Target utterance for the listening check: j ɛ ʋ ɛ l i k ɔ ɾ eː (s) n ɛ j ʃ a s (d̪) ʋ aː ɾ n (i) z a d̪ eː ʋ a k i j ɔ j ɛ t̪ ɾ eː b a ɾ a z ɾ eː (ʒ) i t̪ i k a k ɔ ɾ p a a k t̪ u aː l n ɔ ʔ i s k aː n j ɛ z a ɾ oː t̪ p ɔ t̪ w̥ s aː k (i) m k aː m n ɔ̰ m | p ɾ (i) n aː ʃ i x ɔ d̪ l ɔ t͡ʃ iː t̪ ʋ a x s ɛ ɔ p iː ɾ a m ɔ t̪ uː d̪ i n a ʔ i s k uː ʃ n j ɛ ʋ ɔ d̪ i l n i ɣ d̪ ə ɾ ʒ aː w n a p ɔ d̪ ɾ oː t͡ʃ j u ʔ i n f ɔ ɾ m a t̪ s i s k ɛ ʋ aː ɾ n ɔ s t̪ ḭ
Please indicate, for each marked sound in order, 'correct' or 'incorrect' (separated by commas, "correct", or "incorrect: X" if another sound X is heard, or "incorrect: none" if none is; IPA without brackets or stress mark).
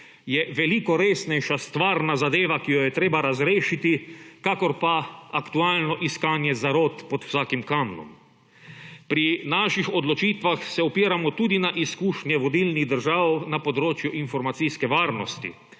correct, incorrect: t̪, incorrect: a, incorrect: ʃ, correct, correct